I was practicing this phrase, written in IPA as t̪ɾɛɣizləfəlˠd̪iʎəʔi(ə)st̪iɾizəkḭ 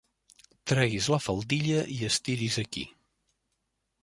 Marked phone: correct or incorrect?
correct